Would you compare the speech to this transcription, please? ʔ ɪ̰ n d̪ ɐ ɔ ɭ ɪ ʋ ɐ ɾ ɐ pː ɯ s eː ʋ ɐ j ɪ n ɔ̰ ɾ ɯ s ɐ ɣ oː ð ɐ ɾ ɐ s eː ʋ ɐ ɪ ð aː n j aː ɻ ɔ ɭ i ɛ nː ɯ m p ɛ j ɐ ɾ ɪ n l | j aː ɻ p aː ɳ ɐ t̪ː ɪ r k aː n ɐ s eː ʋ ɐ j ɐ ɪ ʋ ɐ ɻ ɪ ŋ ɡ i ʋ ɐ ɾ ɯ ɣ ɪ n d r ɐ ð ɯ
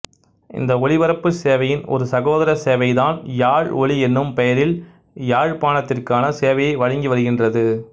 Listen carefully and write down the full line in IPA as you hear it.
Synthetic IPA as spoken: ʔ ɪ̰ n d̪ ɐ ɔ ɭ ɪ ʋ ɐ ɾ ɐ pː ɯ s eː ʋ ɐ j ɪ n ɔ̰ ɾ ɯ s ɐ ɣ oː ð ɐ ɾ ɐ s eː ʋ ɐ ɪ ð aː n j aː ɻ ɔ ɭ i ɛ nː ɯ m p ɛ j ɐ ɾ ɪ l | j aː ɻ p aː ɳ ɐ t̪ː ɪ r k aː n ɐ s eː ʋ ɐ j ɐ ɪ ʋ ɐ ɻ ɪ ŋ ɡ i ʋ ɐ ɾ ɯ ɣ ɪ n d r ɐ ð ɯ

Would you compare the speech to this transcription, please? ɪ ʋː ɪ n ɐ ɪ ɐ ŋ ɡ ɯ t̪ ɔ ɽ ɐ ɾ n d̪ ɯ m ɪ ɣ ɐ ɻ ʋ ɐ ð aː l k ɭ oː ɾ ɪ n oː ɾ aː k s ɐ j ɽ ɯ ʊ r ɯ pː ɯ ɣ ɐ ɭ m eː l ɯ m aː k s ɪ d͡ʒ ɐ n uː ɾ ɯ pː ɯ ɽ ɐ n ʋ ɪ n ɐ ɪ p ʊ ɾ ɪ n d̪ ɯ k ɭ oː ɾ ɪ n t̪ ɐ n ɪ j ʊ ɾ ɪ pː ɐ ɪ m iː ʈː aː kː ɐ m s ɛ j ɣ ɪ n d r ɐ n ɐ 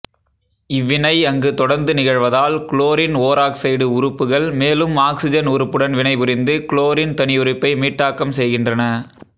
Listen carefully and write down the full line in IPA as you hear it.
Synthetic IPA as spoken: ɪ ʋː ɪ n ɐ ɪ ɐ ŋ ɡ ɯ t̪ ɔ ɽ ɐ ɾ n d̪ ɯ n ɪ ɣ ɐ ɻ ʋ ɐ ð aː l k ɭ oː ɾ ɪ n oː ɾ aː k s ɐ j ɽ ɯ ʊ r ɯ pː ɯ ɣ ɐ ɭ m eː l ɯ m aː k s ɪ d͡ʒ ɐ n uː ɾ ɯ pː ɯ ɽ ɐ n ʋ ɪ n ɐ ɪ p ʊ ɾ ɪ n d̪ ɯ k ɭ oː ɾ ɪ n t̪ ɐ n ɪ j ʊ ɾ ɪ pː ɐ ɪ m iː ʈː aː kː ɐ m s ɛ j ɣ ɪ n d r ɐ n ɐ

